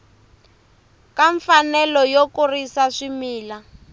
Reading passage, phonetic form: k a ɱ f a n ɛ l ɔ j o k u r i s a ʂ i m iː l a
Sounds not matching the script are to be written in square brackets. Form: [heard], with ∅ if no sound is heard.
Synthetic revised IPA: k a ɱ f a n ɛ l ɔ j o k u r i s a ʂ i m iː l a